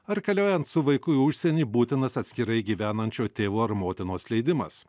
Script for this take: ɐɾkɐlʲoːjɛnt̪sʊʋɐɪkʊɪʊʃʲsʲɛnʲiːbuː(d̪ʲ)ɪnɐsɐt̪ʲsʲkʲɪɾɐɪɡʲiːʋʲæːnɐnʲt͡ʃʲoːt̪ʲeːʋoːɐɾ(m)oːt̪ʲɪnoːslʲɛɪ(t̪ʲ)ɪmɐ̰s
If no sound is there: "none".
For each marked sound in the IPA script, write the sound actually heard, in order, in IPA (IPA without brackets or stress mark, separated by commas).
t̪ʲ, m, d̪ʲ